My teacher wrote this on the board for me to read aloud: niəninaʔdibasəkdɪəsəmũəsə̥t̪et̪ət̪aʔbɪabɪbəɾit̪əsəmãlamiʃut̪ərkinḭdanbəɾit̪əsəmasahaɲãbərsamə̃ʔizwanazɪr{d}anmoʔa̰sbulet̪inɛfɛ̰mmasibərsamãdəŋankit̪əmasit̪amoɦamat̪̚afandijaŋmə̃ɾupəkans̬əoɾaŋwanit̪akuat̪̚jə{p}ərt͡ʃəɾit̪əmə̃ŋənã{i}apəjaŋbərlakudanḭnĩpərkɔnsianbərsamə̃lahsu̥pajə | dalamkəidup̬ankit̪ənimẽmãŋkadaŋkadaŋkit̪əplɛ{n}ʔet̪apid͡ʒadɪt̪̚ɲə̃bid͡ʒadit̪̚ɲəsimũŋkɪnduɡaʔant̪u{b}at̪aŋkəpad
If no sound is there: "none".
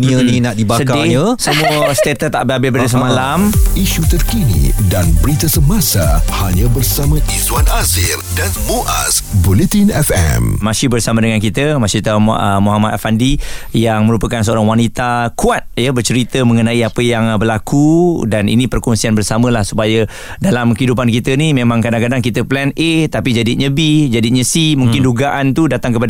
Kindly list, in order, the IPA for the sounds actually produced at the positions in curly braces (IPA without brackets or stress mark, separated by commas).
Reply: d, b, i, n, d